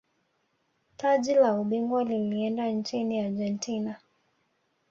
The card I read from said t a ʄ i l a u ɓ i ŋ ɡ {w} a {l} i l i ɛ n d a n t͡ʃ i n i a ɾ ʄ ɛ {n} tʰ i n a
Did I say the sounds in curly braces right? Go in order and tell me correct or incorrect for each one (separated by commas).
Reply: correct, correct, correct